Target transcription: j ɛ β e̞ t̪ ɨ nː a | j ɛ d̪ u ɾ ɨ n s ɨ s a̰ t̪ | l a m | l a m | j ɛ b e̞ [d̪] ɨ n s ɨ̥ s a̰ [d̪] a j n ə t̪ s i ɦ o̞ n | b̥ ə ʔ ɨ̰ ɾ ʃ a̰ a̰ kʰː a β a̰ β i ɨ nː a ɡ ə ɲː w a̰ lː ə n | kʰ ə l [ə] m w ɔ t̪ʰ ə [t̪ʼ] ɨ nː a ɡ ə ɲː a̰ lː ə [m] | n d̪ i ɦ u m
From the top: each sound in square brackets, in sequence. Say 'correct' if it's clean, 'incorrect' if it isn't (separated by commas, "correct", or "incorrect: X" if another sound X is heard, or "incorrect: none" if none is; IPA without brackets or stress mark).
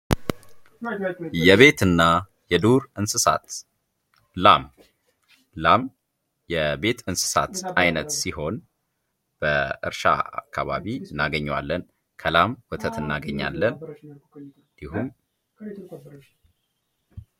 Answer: incorrect: t̪, incorrect: t̪, incorrect: a, incorrect: t̪, incorrect: n